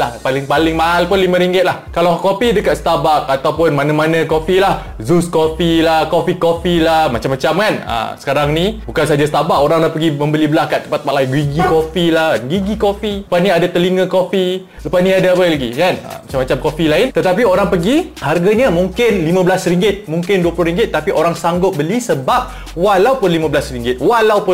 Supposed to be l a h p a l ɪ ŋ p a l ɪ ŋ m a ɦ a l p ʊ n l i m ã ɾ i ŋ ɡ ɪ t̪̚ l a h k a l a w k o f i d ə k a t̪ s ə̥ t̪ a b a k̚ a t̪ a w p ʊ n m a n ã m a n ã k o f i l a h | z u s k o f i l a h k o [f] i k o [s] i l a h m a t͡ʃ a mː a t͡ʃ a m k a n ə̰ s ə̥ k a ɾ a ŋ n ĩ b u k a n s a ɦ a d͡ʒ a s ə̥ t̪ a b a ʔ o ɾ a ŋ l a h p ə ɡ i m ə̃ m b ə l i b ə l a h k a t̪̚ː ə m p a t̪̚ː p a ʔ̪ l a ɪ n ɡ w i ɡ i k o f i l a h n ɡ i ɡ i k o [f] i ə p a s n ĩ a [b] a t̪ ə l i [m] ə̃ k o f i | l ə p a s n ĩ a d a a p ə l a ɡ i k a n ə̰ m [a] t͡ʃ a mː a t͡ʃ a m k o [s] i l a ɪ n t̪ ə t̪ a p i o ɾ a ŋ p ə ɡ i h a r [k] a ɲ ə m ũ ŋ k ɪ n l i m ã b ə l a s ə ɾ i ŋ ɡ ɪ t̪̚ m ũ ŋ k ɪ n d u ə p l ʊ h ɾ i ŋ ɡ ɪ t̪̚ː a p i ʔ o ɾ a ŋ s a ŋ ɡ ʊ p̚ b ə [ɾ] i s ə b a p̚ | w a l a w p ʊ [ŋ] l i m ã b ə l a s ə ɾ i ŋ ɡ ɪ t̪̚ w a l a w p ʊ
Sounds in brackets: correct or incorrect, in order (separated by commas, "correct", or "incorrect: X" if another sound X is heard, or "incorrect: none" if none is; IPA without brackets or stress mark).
correct, incorrect: f, correct, incorrect: d, incorrect: ŋ, correct, incorrect: f, incorrect: ɡ, incorrect: l, incorrect: n